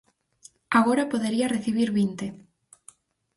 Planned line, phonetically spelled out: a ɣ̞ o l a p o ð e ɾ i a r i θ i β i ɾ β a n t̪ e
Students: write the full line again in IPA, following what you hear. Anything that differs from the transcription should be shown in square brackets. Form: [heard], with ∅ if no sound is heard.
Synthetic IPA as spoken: a ɣ̞ o [ɾ] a p o ð e ɾ i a r [e] θ i β i ɾ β [i] n t̪ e